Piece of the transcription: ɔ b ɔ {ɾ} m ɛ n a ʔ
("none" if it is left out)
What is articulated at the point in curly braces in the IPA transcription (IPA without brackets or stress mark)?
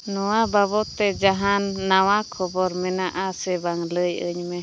ɾ